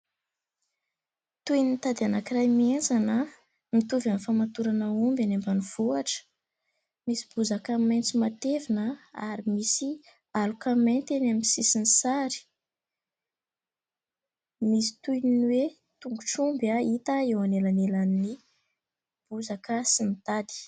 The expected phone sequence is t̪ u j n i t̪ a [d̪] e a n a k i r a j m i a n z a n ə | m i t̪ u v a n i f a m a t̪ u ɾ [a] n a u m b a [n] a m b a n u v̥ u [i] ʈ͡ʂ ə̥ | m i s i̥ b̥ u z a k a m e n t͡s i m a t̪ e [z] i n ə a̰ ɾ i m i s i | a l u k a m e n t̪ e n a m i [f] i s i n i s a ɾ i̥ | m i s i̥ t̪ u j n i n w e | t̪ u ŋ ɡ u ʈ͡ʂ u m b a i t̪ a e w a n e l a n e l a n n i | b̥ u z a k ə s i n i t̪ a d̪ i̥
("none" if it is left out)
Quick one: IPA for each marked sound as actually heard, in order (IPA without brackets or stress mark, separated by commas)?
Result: d̪, a, n, a, v, s